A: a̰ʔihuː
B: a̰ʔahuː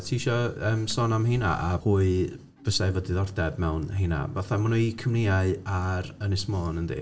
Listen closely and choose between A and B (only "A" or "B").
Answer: B